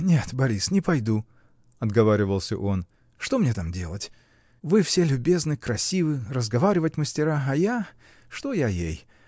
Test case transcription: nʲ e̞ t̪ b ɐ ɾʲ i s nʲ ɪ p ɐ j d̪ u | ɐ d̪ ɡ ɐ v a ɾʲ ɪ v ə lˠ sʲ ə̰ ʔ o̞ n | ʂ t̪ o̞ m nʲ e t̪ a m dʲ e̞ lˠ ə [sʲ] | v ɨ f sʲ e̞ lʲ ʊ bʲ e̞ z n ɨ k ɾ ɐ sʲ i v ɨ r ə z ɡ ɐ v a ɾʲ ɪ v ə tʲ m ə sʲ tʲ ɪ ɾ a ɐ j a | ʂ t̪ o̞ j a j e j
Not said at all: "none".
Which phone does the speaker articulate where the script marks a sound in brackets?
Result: tʲ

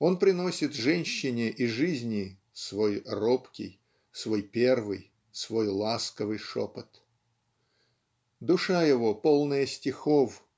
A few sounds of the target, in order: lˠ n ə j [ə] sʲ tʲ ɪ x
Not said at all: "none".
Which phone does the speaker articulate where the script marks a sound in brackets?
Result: ə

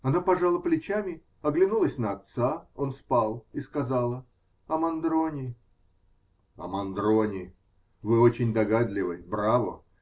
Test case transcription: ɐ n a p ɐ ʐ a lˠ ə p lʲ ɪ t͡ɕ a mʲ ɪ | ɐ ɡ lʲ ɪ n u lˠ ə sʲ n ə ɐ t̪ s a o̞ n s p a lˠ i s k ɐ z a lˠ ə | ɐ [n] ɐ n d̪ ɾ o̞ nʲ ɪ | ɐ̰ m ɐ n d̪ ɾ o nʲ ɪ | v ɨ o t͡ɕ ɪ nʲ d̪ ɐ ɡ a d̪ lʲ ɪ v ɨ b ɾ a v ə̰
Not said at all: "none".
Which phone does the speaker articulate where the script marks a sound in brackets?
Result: m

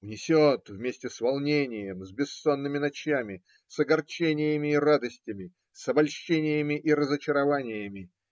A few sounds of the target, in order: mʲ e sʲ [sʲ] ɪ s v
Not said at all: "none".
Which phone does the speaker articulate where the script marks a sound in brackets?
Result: tʲ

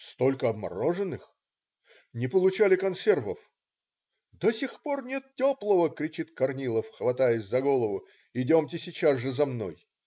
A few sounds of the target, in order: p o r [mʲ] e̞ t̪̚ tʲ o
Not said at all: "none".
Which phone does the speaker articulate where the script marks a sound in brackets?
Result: nʲ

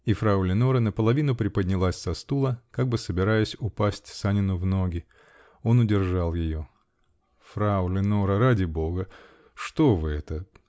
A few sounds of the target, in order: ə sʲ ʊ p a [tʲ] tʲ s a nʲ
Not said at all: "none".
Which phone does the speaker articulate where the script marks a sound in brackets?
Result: sʲ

